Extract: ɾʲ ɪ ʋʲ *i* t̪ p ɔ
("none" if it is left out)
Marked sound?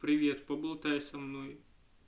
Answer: e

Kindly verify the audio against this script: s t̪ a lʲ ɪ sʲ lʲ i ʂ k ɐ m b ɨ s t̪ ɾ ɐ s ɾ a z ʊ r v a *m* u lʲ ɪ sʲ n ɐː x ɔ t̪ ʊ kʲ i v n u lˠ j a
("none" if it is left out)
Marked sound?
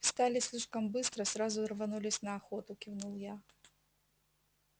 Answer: n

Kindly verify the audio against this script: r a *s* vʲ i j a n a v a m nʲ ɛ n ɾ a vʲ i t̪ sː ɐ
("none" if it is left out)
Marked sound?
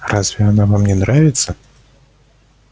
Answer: z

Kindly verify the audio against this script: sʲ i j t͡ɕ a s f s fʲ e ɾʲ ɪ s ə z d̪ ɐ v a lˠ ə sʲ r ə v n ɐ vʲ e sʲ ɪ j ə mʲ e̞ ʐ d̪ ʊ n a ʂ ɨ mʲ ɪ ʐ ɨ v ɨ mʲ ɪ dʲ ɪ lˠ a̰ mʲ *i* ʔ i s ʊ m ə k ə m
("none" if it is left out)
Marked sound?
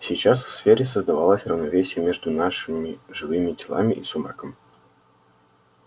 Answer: ɪ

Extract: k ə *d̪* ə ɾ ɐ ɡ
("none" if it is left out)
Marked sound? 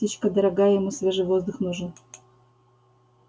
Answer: d̪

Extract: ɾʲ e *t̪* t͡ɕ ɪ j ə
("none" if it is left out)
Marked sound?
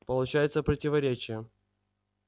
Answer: none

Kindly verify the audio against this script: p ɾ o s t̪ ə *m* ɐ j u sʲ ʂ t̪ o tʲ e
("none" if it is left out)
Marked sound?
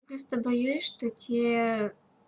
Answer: b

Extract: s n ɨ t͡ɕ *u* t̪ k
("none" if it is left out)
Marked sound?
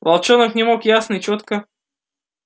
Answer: o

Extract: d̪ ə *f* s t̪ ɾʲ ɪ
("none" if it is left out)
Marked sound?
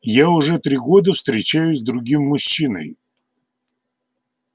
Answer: f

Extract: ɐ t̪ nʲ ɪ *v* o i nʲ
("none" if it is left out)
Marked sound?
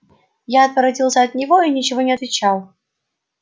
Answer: v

